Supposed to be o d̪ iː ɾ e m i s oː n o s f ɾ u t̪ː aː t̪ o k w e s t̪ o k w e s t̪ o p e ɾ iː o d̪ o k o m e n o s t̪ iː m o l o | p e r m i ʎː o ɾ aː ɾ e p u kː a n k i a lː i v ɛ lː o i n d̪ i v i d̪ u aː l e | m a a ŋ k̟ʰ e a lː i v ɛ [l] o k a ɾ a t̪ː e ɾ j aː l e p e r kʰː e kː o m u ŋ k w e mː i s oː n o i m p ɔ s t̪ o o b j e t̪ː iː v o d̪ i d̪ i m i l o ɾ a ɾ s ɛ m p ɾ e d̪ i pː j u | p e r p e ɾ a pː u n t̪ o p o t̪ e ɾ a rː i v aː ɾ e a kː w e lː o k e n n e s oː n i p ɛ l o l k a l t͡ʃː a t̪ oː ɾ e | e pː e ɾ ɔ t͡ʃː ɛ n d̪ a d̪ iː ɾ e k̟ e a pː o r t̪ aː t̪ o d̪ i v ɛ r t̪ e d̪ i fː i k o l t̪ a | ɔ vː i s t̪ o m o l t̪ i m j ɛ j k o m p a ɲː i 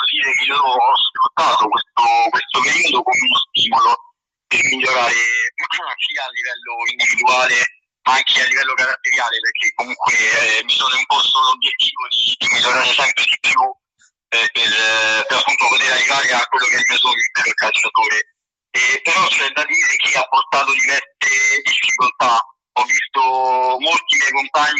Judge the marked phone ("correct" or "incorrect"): incorrect